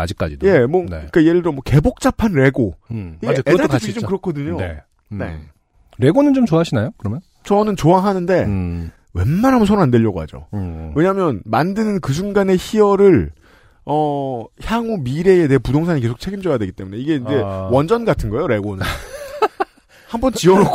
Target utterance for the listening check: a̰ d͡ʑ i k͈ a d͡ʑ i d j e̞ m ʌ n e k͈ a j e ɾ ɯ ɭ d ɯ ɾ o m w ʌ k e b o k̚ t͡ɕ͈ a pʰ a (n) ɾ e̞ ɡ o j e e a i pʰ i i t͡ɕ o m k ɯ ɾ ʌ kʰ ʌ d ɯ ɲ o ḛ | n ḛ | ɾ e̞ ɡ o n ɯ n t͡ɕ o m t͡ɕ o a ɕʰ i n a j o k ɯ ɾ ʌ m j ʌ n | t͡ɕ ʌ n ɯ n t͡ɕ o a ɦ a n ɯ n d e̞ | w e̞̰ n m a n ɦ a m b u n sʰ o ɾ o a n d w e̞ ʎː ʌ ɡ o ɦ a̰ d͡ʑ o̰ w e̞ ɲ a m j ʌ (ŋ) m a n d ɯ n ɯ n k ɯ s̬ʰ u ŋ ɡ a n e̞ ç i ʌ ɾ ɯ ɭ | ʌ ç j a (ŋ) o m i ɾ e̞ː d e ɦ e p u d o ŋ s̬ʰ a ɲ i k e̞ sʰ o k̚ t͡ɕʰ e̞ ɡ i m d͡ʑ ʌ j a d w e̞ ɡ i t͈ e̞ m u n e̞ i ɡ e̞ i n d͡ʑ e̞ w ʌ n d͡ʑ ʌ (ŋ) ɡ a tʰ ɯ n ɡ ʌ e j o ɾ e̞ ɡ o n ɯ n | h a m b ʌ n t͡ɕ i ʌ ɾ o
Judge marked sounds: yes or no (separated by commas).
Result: yes, no, yes, no